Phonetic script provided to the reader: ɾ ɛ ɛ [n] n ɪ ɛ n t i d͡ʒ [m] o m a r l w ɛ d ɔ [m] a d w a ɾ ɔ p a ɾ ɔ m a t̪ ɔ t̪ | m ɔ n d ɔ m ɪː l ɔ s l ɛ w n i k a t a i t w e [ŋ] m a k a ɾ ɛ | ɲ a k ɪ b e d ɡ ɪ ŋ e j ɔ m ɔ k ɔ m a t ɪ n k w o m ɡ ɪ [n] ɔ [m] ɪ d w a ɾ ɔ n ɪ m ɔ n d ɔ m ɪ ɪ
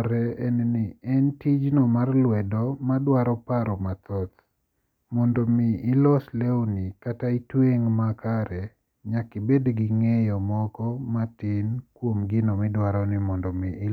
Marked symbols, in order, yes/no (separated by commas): yes, no, yes, yes, yes, yes